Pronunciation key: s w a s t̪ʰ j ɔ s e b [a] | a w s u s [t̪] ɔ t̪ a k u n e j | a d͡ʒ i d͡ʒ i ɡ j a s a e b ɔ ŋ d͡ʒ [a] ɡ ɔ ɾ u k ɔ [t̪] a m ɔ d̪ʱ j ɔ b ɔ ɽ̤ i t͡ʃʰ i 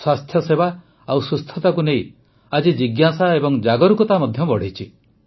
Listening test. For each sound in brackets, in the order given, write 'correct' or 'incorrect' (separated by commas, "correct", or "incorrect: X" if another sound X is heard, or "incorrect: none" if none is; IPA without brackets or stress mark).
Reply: correct, incorrect: t̪ʰ, correct, correct